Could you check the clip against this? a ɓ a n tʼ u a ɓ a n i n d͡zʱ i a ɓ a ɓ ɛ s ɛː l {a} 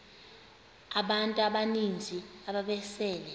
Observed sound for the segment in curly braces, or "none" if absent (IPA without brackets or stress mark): ɛ